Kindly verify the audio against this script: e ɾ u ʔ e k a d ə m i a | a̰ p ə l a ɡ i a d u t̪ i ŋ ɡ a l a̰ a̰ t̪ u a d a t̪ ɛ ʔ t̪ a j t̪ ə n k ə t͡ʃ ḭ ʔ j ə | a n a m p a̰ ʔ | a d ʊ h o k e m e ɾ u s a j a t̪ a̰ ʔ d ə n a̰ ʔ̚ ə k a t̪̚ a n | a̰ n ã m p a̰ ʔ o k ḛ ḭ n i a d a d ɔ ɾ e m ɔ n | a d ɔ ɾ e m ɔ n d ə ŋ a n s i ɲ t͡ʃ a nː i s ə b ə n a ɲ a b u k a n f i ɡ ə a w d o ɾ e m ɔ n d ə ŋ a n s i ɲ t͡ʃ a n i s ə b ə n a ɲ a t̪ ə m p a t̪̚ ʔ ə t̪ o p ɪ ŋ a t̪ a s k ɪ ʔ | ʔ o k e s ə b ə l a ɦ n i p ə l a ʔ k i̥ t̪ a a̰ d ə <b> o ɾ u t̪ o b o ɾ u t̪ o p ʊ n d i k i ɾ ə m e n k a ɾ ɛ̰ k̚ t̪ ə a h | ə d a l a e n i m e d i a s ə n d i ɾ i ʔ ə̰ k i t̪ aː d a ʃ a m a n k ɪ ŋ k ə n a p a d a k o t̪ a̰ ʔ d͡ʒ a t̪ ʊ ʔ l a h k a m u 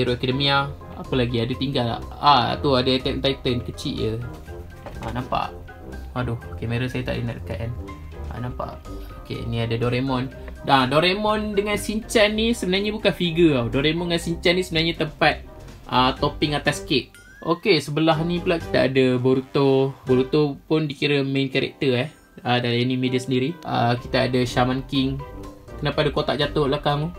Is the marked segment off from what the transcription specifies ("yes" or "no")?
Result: no